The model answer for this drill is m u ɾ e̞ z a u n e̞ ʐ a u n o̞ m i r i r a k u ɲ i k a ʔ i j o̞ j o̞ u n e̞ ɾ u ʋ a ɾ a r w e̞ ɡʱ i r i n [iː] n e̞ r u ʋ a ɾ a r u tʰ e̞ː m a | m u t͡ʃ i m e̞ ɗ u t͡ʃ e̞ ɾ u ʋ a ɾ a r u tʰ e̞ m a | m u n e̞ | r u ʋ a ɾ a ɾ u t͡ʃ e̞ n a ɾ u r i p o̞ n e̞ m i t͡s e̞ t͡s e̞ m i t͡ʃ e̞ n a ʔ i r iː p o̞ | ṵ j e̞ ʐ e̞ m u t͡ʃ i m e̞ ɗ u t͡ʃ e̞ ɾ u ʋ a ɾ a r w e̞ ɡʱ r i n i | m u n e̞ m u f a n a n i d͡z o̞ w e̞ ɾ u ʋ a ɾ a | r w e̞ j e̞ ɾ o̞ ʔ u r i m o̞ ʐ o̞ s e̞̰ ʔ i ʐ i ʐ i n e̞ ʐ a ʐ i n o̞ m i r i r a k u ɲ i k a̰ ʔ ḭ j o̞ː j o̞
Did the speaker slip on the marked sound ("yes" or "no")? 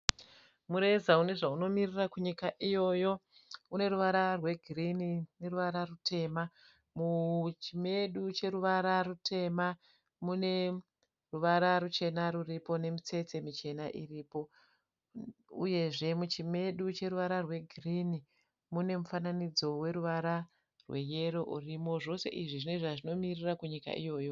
yes